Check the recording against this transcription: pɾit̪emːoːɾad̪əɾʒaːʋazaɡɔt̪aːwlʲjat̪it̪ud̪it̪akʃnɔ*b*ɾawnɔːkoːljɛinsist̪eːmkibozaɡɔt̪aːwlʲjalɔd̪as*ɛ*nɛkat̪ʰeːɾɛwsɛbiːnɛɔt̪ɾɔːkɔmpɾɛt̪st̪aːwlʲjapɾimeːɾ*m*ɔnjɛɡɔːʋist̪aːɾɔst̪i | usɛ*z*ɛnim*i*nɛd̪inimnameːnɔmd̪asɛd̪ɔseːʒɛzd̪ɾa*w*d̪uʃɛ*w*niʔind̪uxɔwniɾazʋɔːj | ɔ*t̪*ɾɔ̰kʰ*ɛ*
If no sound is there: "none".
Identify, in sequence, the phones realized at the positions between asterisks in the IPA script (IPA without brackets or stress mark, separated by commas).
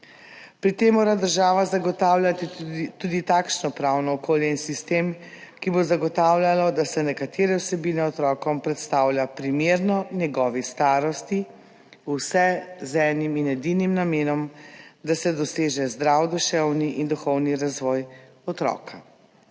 p, ɛ, n, z, i, w, w, t̪, a